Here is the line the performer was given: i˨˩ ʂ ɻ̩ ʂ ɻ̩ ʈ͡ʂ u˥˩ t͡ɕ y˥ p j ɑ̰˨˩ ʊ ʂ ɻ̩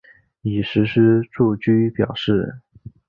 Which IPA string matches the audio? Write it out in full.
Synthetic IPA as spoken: i˨˩ ʂ ɻ̩ ʂ ɻ̩ ʈ͡ʂ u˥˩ t͡ɕ y˥ p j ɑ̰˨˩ ʊ ʂ ɻ̩